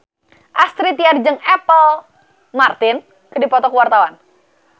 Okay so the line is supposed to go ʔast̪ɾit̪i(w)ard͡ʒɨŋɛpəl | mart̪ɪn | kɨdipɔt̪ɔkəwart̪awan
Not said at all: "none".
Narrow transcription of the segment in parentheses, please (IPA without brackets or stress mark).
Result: none